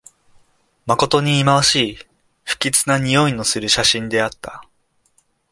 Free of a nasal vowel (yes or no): no